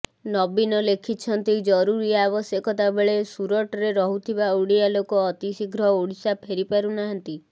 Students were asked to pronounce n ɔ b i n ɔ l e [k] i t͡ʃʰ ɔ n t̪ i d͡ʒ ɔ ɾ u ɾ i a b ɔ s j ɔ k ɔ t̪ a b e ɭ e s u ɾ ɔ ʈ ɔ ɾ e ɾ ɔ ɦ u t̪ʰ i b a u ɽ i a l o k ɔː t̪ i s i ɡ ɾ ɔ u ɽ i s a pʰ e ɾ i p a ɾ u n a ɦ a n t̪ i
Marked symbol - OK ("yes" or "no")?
no